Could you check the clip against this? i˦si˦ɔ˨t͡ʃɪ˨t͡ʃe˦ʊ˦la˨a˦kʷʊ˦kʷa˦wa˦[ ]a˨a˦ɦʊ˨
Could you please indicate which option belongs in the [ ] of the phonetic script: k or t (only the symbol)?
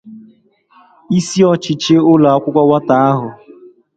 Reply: t